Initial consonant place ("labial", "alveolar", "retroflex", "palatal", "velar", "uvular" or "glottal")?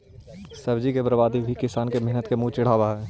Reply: alveolar